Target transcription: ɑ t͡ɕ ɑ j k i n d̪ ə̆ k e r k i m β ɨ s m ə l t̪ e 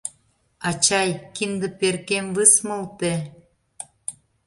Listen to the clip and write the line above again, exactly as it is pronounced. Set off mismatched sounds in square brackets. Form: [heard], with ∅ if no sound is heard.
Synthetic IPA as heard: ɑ t͡ɕ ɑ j k i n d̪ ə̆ [p] e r k [e] m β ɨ s m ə l t̪ e